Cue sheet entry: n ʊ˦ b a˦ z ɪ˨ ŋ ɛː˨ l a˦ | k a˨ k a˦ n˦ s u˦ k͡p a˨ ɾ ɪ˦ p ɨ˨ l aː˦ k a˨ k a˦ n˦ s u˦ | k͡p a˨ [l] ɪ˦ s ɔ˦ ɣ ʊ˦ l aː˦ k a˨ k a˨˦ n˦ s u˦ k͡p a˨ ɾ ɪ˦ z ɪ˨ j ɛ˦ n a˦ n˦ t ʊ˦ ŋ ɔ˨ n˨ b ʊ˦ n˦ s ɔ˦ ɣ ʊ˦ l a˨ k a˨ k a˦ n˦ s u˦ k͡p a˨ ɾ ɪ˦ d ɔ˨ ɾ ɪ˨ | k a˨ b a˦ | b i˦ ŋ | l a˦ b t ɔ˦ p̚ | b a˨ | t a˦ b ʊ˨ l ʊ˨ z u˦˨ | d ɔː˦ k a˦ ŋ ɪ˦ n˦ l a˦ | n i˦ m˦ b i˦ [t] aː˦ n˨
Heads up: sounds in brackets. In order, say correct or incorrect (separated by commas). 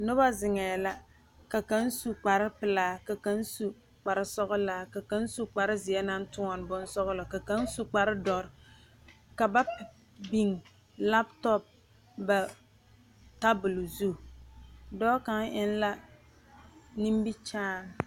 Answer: incorrect, incorrect